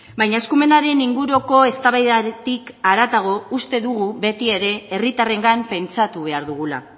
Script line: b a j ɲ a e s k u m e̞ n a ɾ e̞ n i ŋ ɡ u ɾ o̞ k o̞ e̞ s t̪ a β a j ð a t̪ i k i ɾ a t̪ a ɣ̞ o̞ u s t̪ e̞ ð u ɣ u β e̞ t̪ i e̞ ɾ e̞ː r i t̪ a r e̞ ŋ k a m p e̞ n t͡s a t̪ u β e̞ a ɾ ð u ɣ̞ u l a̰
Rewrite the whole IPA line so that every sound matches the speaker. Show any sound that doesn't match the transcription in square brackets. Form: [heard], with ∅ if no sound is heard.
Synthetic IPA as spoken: b a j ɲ a e s k u m e̞ n a ɾ e̞ n i ŋ ɡ u ɾ o̞ k o̞ e̞ s t̪ a β a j ð a t̪ i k [a] ɾ a t̪ a ɣ̞ o̞ u s t̪ e̞ ð u ɣ u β e̞ t̪ i e̞ ɾ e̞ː r i t̪ a r e̞ ŋ [ɡ] a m p e̞ n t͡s a t̪ u β e̞ a ɾ ð u ɣ̞ u l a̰

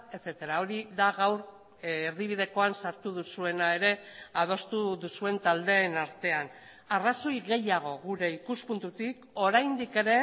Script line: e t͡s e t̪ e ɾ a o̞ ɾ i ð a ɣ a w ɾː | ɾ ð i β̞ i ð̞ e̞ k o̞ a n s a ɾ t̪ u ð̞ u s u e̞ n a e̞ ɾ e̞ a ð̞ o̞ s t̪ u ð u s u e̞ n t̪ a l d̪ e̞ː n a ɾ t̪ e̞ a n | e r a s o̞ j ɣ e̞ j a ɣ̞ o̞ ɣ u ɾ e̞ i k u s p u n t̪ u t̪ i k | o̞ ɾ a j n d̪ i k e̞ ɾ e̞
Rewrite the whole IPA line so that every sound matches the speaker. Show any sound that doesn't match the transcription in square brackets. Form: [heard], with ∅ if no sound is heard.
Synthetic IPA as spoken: e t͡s e t̪ e ɾ a o̞ ɾ i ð a ɣ a w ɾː | ɾ ð i β̞ i ð̞ e̞ k o̞ a n s a ɾ t̪ u ð̞ u s u e̞ n a e̞ ɾ e̞ a ð̞ o̞ s t̪ u ð u s u e̞ n t̪ a l d̪ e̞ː n a ɾ t̪ e̞ a n | [a] r a s o̞ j ɣ e̞ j a ɣ̞ o̞ ɣ u ɾ e̞ i k u s p u n t̪ u t̪ i k | o̞ ɾ a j n d̪ i k e̞ ɾ e̞

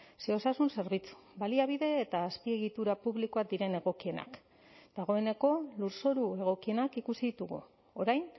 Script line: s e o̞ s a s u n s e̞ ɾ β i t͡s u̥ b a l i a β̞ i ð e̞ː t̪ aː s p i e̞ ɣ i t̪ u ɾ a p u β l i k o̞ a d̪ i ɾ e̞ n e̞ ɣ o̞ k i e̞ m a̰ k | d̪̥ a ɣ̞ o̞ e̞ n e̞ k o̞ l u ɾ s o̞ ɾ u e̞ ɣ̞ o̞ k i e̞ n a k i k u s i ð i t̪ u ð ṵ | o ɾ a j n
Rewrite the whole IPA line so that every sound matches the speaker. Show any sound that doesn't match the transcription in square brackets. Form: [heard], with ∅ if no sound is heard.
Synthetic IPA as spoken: s e o̞ s a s u n s e̞ ɾ β i t͡s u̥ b a l i a β̞ i ð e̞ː t̪ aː s p i e̞ ɣ i t̪ u ɾ a p u β l i k o̞ a d̪ i ɾ e̞ n e̞ ɣ o̞ k i e̞ [n] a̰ k | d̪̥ a ɣ̞ o̞ e̞ n e̞ k o̞ l u ɾ s o̞ ɾ u e̞ ɣ̞ o̞ k i e̞ n a k i k u s i ð i t̪ u [ɣ] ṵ | o ɾ a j n

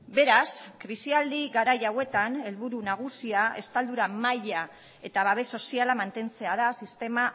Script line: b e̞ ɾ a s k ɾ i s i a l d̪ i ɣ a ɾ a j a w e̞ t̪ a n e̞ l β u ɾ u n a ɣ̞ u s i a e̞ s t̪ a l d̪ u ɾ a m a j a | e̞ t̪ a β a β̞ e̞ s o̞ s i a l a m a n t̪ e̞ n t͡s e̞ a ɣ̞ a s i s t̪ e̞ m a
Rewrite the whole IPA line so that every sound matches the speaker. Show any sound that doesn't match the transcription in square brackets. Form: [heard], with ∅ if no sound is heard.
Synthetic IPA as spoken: b e̞ ɾ a s k ɾ i s i a l d̪ i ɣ a ɾ a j a w e̞ t̪ a n e̞ l β u ɾ u n a ɣ̞ u s i a e̞ s t̪ a l d̪ u ɾ a m a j a | e̞ t̪ a β a β̞ e̞ s o̞ s i a l a m a n t̪ e̞ n t͡s e̞ a [ð̞] a s i s t̪ e̞ m a

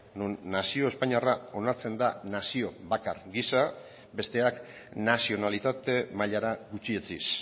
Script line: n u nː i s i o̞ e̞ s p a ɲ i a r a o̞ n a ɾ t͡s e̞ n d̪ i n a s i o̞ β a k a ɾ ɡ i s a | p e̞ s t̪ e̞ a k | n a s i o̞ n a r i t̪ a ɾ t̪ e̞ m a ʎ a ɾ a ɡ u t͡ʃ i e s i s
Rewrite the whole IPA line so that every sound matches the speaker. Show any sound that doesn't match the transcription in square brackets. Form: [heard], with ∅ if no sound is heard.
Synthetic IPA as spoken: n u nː [a] s i o̞ e̞ s p a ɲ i a r a o̞ n a ɾ t͡s e̞ n d̪ [a] n a s i o̞ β a k a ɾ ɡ i s a | [b] e̞ s t̪ e̞ a k | n a s i o̞ n a [l] i t̪ a [∅] t̪ e̞ m a ʎ a ɾ a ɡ u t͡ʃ i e [t͡s] i s

